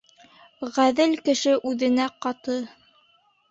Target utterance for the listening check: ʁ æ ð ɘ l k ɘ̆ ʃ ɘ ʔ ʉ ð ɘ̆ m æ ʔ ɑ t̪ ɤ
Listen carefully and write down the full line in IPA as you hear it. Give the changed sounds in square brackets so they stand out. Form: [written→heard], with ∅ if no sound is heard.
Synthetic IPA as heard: ʁ æ ð ɘ l k ɘ̆ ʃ ɘ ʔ ʉ ð ɘ̆ [m→n] æ [ʔ→q] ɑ t̪ ɤ